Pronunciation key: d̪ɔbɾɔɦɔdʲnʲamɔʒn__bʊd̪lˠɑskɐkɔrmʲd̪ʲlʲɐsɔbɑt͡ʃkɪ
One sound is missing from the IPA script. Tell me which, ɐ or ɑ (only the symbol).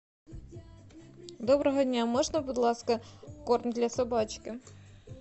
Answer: ɐ